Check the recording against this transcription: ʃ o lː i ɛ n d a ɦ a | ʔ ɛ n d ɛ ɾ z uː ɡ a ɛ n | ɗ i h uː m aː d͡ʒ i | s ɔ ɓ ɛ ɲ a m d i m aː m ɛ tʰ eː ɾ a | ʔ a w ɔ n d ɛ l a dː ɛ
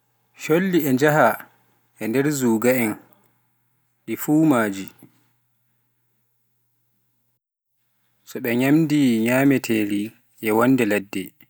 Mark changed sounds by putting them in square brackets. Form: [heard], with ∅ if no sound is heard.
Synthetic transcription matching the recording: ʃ o lː i ɛ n [d͡ʒ] a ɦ a | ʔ ɛ n d ɛ ɾ z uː ɡ a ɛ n | ɗ i [f] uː m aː d͡ʒ i | s ɔ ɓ ɛ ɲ a m d i [ɲ] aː m ɛ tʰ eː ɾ [i] | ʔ [ɛ] w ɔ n d ɛ l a dː ɛ